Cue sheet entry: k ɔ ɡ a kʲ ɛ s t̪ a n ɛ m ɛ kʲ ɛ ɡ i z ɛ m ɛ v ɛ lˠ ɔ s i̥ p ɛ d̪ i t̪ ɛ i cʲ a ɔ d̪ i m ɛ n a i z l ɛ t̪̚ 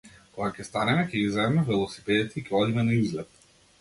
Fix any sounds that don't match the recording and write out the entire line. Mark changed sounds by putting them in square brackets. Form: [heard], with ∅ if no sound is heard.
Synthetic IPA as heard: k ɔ ɡ a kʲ ɛ s t̪ a n ɛ m ɛ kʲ ɛ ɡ i z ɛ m ɛ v ɛ lˠ ɔ s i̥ p ɛ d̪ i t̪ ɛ i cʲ [ɛ] ɔ d̪ i m ɛ n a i z l ɛ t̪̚